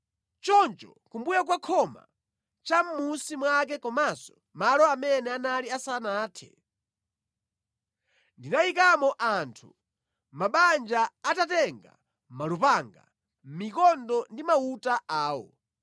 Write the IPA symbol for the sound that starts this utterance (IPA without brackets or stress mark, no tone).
t͡ʃ